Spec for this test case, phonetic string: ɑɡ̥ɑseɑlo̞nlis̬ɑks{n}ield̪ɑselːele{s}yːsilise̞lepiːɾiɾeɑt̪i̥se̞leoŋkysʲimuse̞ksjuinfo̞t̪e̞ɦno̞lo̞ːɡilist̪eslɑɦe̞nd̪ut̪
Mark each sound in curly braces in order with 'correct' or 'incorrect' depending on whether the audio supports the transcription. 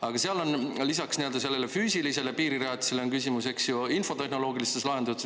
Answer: correct, incorrect: f

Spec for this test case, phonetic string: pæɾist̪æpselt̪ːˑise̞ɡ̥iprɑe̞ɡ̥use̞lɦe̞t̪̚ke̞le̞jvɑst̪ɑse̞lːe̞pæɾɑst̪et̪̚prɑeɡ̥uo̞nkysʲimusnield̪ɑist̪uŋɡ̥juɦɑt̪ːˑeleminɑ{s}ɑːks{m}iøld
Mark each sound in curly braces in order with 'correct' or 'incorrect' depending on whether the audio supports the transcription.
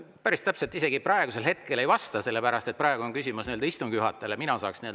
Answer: correct, incorrect: n

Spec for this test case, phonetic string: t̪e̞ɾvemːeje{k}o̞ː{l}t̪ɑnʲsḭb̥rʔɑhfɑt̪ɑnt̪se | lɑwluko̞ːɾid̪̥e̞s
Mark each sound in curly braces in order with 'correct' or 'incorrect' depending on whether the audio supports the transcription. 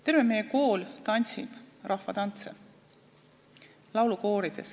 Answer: correct, correct

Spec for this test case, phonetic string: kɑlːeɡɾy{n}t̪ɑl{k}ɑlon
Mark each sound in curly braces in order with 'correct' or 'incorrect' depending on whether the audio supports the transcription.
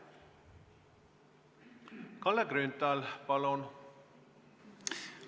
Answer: correct, incorrect: p

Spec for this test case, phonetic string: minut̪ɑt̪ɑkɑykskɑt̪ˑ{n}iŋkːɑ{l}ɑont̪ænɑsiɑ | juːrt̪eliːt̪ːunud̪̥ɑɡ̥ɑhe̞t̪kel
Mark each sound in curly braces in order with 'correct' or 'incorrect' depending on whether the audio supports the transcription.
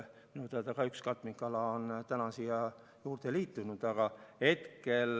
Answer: incorrect: m, correct

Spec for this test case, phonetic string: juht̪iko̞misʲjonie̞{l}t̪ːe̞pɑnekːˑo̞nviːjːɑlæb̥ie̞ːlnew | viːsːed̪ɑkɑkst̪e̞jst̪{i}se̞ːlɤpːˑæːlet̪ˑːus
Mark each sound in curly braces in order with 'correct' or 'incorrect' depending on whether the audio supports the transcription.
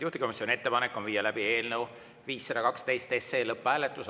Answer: incorrect: none, incorrect: e

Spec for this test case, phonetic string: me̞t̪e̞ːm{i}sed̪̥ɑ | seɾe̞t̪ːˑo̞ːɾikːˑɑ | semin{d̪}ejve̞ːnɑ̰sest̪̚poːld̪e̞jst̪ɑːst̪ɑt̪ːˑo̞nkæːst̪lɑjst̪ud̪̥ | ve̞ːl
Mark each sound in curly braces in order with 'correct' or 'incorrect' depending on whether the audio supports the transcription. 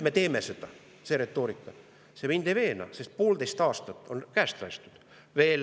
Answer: incorrect: e, correct

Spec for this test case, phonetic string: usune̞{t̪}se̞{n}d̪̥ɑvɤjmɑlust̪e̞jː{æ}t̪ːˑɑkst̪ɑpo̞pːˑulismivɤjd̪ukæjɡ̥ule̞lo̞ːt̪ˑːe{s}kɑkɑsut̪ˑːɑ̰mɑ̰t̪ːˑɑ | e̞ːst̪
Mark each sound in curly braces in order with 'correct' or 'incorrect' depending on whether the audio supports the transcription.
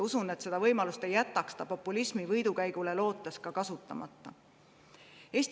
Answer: correct, incorrect: none, correct, correct

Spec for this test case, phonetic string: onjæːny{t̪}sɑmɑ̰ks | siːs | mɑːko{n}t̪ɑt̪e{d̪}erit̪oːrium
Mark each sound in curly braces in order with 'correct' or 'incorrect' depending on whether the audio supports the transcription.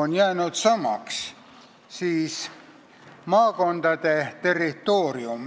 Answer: correct, correct, incorrect: t̪

